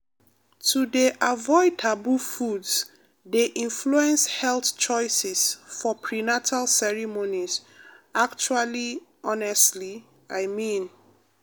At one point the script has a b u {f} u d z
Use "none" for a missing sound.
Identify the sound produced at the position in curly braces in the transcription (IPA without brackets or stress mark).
f